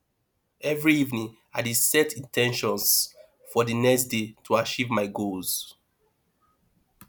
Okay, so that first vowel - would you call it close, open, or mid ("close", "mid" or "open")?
mid